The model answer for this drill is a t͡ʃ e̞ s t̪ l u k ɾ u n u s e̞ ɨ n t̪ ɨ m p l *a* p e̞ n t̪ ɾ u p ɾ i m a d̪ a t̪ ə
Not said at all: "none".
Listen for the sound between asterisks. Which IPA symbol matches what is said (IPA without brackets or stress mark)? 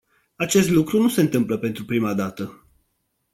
ə